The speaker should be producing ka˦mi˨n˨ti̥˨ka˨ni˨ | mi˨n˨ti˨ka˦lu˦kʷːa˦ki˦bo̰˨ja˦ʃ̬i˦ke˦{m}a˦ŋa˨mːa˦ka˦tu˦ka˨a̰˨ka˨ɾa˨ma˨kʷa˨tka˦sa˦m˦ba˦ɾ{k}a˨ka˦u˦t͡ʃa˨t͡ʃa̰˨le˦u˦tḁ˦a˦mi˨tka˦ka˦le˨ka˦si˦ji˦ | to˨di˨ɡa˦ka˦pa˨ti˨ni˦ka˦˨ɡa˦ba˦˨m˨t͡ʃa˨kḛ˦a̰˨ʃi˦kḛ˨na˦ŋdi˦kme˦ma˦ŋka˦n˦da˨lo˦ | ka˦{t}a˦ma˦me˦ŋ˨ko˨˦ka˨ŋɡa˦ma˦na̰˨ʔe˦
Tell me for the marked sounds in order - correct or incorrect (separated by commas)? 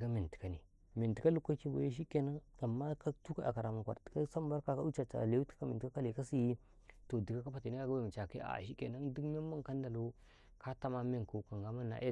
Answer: incorrect, correct, correct